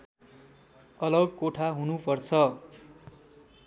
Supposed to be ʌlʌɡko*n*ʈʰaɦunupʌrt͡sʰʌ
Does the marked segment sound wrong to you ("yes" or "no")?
yes